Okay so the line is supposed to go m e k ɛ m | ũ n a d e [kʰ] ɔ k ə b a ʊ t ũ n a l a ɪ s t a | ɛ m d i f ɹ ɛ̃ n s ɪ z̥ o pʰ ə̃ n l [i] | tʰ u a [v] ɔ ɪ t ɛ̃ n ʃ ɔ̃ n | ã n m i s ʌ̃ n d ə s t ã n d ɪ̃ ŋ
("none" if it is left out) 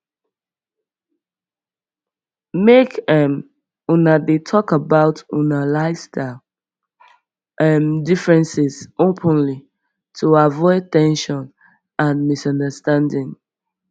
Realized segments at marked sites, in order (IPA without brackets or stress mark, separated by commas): tʰ, i, v